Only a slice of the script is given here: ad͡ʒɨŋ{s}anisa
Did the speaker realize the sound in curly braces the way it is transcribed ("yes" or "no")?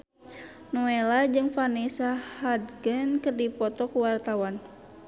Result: no